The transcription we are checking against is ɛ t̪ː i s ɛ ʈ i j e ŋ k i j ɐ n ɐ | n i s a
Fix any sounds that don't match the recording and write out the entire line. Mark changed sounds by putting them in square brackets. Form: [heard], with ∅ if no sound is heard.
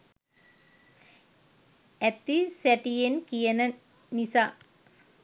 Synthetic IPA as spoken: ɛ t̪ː i s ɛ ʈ i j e [n] k i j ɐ n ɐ | n i s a